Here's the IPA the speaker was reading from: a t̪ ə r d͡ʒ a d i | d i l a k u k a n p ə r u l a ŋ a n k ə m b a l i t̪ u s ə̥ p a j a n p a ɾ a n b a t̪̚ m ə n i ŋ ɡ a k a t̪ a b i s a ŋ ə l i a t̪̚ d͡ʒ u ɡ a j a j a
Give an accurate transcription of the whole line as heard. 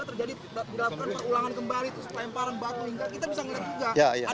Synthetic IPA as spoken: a t̪ ə r d͡ʒ a d i | d i l a k u k a n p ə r u l a ŋ a n k ə m b a l i t̪ u s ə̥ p a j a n p a ɾ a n b a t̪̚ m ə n i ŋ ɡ a k i t̪ a b i s a ŋ ə l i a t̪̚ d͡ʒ u ɡ a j a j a